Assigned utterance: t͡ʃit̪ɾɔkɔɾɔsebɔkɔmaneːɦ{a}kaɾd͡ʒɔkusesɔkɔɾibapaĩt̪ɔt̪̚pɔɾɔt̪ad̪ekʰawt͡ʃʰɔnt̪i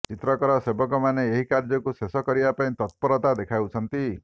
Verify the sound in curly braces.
incorrect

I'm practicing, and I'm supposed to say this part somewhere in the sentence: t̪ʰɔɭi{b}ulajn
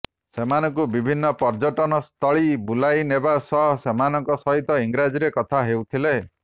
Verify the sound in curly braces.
correct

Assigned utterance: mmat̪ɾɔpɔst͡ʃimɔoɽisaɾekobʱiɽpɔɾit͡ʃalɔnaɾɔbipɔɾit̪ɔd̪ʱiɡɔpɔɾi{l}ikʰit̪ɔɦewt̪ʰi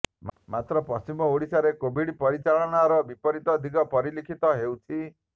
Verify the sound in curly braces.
correct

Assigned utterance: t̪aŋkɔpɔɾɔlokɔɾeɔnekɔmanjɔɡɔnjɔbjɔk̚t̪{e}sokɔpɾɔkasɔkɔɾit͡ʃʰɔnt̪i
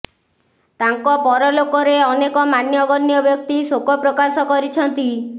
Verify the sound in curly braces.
incorrect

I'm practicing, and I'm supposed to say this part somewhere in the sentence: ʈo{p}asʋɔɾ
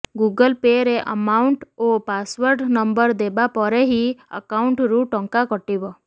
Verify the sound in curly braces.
correct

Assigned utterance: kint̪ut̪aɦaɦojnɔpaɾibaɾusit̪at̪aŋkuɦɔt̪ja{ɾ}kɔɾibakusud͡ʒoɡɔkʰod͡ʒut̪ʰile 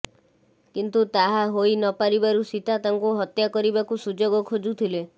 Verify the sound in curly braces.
incorrect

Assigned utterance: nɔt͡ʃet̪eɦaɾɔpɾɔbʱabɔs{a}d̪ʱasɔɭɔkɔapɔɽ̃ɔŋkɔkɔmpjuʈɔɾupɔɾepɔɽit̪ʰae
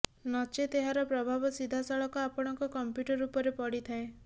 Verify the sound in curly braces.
incorrect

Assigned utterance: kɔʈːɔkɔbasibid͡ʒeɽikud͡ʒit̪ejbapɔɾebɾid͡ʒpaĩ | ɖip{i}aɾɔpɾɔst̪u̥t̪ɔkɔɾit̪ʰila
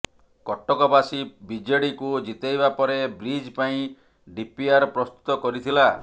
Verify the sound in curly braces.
correct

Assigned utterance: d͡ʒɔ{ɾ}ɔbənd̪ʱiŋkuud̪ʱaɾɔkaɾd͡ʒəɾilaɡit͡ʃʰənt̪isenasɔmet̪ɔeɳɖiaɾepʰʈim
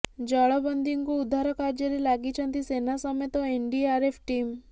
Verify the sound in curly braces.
incorrect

